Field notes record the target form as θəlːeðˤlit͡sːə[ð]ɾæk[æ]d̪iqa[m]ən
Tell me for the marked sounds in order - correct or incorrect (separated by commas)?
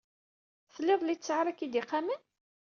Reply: incorrect, incorrect, correct